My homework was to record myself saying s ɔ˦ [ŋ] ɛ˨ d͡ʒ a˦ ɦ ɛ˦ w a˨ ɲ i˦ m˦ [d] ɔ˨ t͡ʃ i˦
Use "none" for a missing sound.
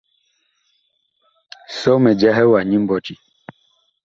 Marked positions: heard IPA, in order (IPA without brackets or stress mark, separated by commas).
m, b